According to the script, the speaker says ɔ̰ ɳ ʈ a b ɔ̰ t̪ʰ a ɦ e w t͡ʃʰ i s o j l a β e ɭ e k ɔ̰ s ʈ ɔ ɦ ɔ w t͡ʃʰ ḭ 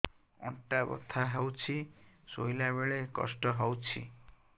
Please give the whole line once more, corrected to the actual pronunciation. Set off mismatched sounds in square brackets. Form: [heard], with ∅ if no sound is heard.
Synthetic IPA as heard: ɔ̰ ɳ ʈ a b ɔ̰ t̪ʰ a ɦ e w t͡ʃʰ i s o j l a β e ɭ e k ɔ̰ s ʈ ɔ ɦ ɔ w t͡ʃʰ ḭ

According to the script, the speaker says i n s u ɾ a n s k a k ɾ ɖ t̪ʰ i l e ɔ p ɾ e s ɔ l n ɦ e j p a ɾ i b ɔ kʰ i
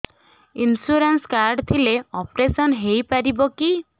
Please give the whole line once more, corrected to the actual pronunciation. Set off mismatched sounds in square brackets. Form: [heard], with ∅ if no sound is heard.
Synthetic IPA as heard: i n s u ɾ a n s k a [∅] ɾ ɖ t̪ʰ i l e ɔ p ɾ e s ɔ [∅] n ɦ e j p a ɾ i b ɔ [k] i

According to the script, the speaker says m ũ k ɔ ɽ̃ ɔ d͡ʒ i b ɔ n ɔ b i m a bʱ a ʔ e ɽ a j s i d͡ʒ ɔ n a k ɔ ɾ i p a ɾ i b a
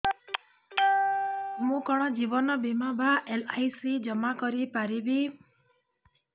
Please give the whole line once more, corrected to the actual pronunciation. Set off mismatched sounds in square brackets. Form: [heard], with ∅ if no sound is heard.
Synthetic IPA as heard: m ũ k ɔ ɽ̃ ɔ d͡ʒ i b ɔ n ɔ b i m a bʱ a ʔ e [l] a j s i d͡ʒ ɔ [m] a k ɔ ɾ i p a ɾ i b [i]

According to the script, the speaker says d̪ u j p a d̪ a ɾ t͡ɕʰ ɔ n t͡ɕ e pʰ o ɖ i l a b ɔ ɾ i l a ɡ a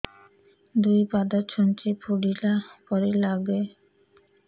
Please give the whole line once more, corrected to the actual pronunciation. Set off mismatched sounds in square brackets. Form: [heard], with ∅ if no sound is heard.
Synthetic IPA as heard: d̪ u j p a d̪ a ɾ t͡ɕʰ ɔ n t͡ɕ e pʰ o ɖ i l a [p] ɔ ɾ [e] l a ɡ [e]

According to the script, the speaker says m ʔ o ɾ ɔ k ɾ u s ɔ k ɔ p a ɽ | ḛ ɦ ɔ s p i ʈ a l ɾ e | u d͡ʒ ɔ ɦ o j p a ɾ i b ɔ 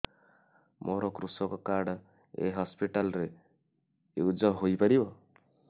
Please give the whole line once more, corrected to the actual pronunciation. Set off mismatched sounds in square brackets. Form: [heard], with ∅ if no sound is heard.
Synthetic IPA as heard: m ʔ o ɾ ɔ k ɾ u s ɔ k ɔ [k] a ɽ | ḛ ɦ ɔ s p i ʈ a l ɾ e | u d͡ʒ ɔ ɦ o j p a ɾ i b ɔ

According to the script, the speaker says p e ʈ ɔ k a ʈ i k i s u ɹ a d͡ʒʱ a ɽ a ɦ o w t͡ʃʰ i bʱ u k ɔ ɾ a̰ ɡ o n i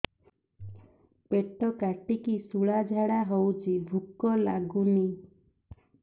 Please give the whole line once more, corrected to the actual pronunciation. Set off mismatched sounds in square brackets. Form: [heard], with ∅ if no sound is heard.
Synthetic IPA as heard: p e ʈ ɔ k a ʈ i k i s u [ɭ] a d͡ʒʱ a ɽ a ɦ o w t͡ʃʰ i bʱ u k ɔ [l] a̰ ɡ [u] n i

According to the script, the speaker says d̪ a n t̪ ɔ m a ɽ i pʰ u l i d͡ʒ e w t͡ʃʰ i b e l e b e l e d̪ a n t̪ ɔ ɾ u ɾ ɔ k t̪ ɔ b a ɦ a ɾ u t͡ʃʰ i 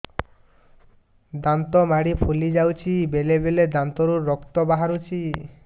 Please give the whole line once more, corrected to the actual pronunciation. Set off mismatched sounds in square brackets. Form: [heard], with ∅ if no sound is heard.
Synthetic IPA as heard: d̪ a n t̪ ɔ m a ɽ i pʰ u l i d͡ʒ [a] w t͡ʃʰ i b e l e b e l e d̪ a n t̪ ɔ ɾ u ɾ ɔ k t̪ ɔ b a ɦ a ɾ u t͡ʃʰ i

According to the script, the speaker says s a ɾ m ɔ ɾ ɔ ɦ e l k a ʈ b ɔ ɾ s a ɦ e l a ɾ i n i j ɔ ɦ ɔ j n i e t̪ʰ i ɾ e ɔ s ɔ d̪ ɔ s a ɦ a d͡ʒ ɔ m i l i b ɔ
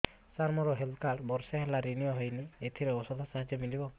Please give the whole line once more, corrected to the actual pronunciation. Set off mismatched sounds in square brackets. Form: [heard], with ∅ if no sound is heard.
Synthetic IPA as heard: s a ɾ m ɔ ɾ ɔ ɦ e l k a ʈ b ɔ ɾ s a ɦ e l a ɾ i n i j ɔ ɦ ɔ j n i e t̪ʰ i ɾ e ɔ s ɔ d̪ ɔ s a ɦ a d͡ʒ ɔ m i l i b ɔ

